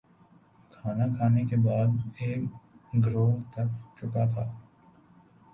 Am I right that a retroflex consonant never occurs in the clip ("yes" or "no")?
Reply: yes